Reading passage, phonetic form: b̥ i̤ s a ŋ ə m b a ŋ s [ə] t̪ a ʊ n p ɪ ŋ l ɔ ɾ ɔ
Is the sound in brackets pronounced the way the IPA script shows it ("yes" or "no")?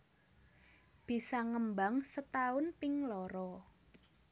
yes